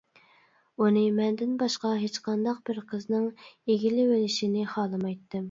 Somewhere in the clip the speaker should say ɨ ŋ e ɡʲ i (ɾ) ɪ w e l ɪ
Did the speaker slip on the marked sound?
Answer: yes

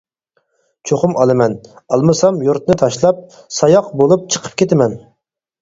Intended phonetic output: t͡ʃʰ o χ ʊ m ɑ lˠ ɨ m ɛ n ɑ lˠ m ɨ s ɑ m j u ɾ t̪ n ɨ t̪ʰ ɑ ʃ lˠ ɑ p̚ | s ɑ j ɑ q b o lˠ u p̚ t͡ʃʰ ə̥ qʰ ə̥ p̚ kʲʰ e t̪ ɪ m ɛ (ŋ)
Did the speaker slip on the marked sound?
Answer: yes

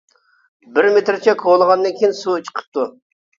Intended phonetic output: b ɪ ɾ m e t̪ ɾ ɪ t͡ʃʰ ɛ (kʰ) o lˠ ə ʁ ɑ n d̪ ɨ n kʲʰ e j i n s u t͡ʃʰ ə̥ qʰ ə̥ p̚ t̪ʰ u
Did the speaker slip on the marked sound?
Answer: no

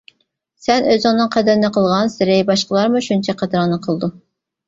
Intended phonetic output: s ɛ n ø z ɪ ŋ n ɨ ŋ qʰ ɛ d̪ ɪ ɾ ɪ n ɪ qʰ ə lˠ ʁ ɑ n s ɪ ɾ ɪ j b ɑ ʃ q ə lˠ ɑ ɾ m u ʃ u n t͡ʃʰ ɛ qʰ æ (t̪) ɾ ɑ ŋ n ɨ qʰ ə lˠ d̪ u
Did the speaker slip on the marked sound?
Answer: yes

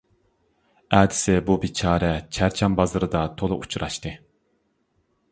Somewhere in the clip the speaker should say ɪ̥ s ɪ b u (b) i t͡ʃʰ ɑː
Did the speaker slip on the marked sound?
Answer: no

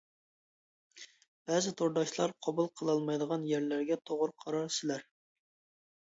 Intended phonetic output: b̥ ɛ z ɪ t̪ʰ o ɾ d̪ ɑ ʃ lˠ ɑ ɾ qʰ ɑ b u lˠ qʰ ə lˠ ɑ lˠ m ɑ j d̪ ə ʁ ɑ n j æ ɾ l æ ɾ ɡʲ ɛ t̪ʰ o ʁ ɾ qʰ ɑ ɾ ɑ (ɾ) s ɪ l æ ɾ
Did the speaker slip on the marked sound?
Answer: no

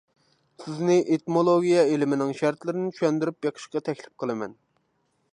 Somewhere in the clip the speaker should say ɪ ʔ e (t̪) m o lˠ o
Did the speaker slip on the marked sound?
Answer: no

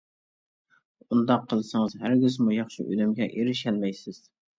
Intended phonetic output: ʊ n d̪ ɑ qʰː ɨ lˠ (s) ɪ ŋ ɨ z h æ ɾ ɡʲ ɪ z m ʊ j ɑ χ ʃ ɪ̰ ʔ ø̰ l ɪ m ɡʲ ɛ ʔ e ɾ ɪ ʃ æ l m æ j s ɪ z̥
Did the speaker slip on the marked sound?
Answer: no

